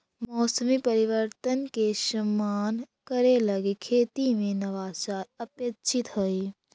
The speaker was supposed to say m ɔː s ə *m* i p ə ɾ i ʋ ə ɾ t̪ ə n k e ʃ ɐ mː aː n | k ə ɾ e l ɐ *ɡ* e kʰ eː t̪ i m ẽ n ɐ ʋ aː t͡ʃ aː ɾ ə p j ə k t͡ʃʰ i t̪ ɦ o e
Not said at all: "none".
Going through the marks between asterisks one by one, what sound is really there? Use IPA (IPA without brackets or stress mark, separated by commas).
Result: m, ɡ